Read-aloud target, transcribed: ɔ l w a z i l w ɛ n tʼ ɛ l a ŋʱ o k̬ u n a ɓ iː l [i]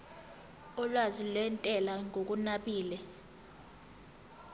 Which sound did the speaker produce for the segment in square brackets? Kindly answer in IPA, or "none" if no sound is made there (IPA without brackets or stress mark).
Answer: ɛ